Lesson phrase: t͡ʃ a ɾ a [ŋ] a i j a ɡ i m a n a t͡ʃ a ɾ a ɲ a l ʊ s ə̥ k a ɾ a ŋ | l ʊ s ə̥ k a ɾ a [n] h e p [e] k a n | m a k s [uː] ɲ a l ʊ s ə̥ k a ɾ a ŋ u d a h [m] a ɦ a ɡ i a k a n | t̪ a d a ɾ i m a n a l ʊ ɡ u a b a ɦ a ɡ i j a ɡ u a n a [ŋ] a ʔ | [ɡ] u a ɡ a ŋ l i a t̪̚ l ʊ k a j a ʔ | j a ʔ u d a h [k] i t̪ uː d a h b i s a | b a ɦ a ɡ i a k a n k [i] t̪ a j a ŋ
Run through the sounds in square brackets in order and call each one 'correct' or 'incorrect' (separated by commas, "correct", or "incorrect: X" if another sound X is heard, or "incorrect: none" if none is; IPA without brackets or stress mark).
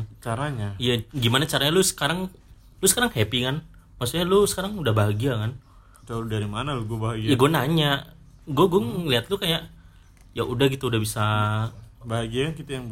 incorrect: ɲ, incorrect: ŋ, incorrect: i, incorrect: u, incorrect: b, incorrect: ɲ, correct, incorrect: ɡ, correct